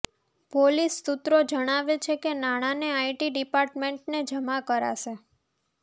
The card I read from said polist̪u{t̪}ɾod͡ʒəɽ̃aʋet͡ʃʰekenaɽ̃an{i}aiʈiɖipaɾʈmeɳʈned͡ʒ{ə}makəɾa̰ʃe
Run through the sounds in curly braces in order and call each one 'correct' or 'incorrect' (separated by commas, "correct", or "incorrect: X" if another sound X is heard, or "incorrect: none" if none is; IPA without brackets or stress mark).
correct, incorrect: e, correct